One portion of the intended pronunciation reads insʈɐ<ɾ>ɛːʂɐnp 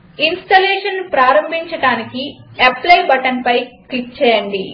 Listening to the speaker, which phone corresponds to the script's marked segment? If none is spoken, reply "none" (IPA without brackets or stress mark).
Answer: l